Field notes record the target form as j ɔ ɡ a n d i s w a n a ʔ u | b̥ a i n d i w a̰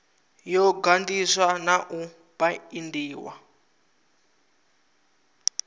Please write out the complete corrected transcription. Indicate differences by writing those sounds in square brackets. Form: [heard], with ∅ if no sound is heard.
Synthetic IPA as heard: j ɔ ɡ a n d i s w a n a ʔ u | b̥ a i n d [iː] w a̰